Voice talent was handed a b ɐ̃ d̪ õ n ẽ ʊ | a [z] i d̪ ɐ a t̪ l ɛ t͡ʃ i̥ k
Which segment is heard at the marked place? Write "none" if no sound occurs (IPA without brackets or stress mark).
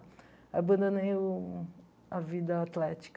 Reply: v